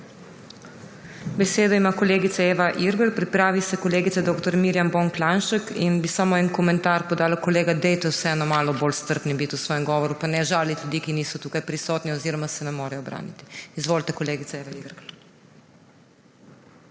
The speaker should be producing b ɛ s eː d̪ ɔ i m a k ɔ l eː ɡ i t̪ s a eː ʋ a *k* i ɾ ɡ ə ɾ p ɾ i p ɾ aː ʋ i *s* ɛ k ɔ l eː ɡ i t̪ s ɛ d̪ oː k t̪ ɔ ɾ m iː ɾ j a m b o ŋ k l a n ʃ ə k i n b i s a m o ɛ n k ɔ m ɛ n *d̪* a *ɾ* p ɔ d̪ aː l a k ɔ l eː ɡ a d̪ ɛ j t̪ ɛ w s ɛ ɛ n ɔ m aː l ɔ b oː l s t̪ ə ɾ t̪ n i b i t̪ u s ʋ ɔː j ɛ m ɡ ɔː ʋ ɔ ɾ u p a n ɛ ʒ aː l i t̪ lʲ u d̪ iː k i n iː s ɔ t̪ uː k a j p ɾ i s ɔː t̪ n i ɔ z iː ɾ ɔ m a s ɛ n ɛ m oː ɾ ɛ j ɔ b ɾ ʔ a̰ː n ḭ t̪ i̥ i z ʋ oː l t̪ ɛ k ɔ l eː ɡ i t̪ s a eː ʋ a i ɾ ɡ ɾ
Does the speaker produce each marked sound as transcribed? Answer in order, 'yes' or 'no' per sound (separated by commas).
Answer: no, yes, no, yes